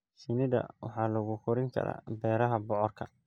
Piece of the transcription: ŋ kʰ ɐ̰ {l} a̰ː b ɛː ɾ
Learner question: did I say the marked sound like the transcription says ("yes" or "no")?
no